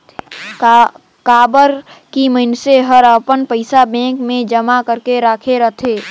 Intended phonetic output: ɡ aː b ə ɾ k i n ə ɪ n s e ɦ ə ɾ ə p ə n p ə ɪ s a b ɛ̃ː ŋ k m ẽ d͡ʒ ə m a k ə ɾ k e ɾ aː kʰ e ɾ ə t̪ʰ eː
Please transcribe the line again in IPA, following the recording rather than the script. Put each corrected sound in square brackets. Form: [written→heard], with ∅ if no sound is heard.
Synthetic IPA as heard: [ɡ→k] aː b ə ɾ k i [n→m] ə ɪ n s e ɦ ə ɾ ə p ə n p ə ɪ s a b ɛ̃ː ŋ k m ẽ d͡ʒ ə m a k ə ɾ k e ɾ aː kʰ e ɾ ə t̪ʰ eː